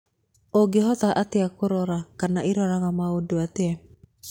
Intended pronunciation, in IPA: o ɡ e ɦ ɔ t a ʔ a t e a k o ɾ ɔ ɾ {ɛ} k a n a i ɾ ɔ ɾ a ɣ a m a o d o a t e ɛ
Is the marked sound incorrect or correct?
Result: incorrect